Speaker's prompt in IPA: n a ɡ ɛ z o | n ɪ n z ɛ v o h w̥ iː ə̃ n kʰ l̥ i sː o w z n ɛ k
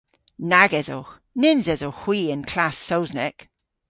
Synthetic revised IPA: n a ɡ ɛ z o | n ɪ n z ɛ z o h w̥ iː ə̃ n kʰ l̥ a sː o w z n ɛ k

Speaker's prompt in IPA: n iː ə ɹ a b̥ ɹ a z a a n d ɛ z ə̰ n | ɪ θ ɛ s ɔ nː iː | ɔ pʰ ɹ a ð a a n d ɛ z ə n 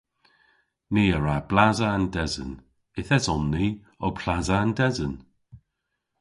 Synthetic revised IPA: n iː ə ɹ a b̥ l a z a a n d ɛ z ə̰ n | ɪ θ ɛ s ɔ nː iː | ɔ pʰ l a z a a n d ɛ z ə n

